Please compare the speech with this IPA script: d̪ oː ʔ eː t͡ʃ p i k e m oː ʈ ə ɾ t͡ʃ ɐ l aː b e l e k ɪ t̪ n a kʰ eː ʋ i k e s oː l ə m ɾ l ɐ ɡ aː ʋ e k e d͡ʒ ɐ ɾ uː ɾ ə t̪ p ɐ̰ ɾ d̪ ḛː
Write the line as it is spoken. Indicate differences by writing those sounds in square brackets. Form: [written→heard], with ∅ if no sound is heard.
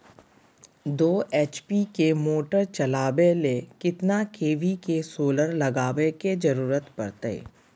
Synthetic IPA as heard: d̪ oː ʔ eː t͡ʃ p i k e m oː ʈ ə ɾ t͡ʃ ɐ l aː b e l e k ɪ t̪ n a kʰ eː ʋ i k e s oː l ə [m→∅] ɾ l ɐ ɡ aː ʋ e k e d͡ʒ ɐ ɾ uː ɾ ə t̪ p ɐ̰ ɾ [d̪→t̪] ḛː